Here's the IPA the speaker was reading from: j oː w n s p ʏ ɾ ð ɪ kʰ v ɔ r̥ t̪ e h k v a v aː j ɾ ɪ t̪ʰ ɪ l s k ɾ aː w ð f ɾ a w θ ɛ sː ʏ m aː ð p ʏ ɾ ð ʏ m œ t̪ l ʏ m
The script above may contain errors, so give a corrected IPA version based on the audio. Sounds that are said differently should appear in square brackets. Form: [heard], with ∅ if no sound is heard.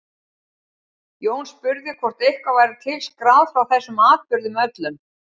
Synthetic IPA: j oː w n s p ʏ ɾ ð ɪ kʰ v ɔ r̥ t̪ e h k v a v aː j ɾ ɪ t̪ʰ ɪ l s k ɾ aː w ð f ɾ a w θ ɛ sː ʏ m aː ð p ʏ ɾ ð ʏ m œ t̪ l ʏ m